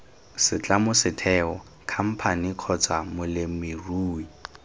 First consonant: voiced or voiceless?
voiceless